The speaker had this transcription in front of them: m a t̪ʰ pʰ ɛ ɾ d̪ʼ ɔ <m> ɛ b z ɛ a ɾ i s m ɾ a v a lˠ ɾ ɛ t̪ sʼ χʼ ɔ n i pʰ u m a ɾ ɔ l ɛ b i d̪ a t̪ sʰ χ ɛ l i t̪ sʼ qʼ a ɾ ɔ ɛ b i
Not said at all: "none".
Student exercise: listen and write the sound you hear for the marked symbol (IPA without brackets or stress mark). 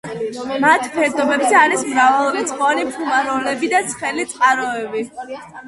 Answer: b